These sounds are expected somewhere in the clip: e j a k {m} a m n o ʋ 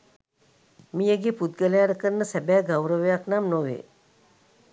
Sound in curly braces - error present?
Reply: yes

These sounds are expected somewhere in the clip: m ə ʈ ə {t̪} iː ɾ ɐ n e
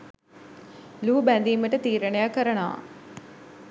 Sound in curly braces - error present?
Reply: no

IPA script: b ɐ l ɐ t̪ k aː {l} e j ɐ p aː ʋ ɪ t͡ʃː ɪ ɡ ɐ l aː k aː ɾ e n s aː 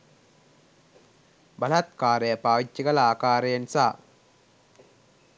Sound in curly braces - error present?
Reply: yes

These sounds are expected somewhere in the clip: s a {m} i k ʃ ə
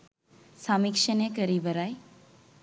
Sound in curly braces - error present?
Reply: no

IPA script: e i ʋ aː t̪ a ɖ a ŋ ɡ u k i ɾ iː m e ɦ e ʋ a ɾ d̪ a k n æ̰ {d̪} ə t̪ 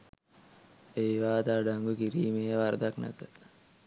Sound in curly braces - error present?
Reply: yes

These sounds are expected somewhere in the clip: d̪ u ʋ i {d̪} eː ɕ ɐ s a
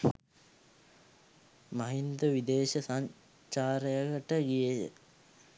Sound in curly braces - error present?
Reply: no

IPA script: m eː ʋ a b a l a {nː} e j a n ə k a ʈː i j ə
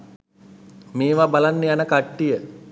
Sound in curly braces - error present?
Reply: no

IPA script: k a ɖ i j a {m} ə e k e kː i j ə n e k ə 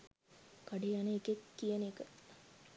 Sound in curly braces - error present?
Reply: yes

